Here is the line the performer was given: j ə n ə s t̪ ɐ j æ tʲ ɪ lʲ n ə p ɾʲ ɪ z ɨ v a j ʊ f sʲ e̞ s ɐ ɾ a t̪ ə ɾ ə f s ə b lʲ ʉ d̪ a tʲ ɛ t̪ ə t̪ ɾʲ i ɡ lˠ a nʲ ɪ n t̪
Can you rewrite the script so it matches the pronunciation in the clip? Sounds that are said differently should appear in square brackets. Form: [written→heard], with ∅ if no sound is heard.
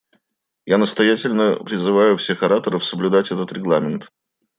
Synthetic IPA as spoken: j [ə→a] n ə s t̪ ɐ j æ tʲ ɪ lʲ n ə p ɾʲ ɪ z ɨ v a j ʊ f sʲ e̞ [s→x] ɐ ɾ a t̪ ə ɾ ə f s ə b lʲ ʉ d̪ a tʲ ɛ t̪ ə t̪ ɾʲ [i→ɪ] ɡ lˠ a [nʲ→mʲ] ɪ n t̪